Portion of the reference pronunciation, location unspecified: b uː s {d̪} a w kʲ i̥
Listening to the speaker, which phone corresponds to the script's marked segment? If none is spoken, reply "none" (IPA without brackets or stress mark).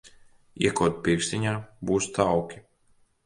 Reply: t̪